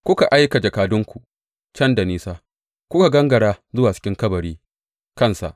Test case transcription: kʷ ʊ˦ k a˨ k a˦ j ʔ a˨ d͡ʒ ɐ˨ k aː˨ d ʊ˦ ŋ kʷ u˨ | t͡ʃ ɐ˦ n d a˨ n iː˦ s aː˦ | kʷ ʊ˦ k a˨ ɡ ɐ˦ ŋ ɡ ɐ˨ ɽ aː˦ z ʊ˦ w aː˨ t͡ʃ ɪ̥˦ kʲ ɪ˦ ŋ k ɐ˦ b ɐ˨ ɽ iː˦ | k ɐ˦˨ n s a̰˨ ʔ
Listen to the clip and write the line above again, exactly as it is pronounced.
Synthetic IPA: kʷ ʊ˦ k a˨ ʔ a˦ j k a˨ d͡ʒ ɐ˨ k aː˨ d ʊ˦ ŋ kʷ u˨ | t͡ʃ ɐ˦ n d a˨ n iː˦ s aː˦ | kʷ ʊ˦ k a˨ ɡ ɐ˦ ŋ ɡ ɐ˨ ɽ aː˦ z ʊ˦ w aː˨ t͡ʃ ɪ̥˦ kʲ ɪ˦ ŋ k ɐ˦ b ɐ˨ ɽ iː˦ | k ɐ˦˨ n s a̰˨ ʔ